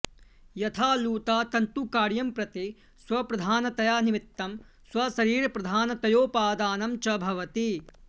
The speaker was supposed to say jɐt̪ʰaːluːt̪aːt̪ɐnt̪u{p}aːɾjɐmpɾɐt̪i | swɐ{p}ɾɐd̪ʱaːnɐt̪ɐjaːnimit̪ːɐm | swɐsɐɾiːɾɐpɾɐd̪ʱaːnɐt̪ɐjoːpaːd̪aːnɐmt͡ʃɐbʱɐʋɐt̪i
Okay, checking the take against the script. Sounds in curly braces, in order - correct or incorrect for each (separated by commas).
incorrect, correct